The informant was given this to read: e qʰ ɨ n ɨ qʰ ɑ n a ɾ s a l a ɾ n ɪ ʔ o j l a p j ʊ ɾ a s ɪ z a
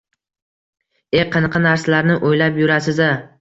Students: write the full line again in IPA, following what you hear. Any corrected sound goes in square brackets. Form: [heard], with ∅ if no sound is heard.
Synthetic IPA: e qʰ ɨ n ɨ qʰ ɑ n a ɾ s a l a ɾ n ɪ ʔ o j l a p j ʊ ɾ a s ɪ z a

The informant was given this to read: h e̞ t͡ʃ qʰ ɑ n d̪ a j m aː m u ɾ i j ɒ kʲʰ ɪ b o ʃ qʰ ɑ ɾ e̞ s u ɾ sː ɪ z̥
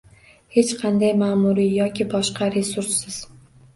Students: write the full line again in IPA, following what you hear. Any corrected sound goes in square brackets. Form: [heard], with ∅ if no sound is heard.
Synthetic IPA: h e̞ t͡ʃ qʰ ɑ n d̪ a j m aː m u ɾ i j ɒ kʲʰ ɪ b [ɒ] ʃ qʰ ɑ ɾ e̞ s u ɾ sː ɪ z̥

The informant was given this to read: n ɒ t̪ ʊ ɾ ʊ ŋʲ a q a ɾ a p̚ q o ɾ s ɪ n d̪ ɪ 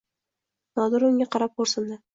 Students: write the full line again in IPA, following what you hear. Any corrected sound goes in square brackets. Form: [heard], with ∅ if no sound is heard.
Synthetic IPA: n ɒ [d̪] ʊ ɾ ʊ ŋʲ a q [ɑ] ɾ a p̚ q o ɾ s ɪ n d̪ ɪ

